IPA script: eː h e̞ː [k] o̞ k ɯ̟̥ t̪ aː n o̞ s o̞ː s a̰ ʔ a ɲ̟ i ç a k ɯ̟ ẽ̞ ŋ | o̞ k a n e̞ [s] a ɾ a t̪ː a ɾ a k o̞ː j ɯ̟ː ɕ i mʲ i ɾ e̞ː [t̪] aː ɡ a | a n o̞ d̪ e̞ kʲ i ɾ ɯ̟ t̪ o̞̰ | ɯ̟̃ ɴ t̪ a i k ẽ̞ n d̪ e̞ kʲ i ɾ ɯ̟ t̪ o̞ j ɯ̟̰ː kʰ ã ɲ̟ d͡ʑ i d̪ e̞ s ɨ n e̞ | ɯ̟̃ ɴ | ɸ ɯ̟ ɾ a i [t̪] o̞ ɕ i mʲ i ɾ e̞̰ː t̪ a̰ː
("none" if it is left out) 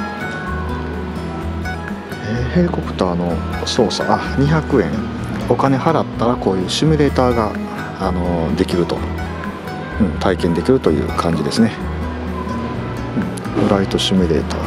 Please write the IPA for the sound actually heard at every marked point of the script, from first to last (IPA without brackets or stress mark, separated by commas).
k, h, t̪, t̪